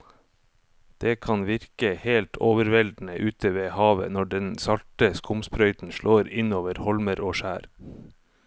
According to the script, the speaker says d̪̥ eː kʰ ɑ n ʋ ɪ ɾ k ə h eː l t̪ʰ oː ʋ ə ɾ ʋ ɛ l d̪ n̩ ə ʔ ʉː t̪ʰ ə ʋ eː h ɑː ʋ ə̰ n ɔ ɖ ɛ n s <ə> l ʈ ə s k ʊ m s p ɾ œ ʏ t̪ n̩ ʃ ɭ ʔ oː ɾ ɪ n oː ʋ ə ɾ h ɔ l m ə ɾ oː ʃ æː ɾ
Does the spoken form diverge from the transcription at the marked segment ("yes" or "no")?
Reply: yes